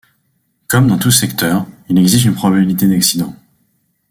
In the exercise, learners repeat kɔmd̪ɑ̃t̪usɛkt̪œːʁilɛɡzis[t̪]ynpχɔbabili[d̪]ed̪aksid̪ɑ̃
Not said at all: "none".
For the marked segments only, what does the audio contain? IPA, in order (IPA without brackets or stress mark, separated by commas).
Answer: t̪, t̪